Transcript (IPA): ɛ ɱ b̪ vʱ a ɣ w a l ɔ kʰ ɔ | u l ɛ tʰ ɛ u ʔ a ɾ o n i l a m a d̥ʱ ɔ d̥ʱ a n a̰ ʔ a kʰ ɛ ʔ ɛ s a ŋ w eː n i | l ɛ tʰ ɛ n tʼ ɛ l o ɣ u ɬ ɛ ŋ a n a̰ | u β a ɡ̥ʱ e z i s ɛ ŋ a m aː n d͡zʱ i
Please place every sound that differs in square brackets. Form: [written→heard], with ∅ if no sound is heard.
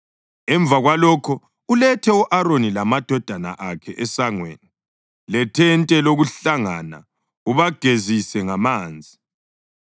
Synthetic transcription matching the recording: ɛ ɱ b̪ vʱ a ɣ w a l ɔ kʰ ɔ | u l ɛ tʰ ɛ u ʔ a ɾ o n i l a m a d̥ʱ ɔ d̥ʱ a n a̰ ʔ a kʰ ɛ ʔ ɛ s a ŋ w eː n i | l ɛ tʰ ɛ n tʼ ɛ l o ɣ u ɬ [ɛ→a] ŋ a n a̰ | u β a ɡ̥ʱ e z i s ɛ ŋ a m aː n d͡zʱ i